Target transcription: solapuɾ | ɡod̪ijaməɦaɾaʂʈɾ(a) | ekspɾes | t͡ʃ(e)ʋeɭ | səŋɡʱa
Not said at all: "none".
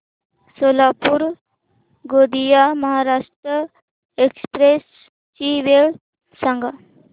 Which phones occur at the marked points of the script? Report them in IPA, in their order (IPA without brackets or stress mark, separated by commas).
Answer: ə, i